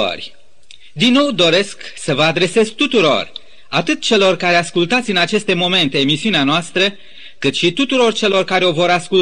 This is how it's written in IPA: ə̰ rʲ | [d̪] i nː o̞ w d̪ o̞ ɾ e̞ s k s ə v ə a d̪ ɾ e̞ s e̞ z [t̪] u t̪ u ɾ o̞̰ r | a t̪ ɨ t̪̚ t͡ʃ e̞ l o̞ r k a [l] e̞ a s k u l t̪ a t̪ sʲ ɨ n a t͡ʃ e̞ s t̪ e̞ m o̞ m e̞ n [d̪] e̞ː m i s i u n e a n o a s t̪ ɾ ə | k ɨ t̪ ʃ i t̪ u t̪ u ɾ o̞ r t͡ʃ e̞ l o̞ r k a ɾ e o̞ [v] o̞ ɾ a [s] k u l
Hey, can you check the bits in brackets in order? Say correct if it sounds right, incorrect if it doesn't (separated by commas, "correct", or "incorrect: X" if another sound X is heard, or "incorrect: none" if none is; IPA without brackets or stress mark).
correct, correct, incorrect: ɾ, incorrect: t̪, correct, correct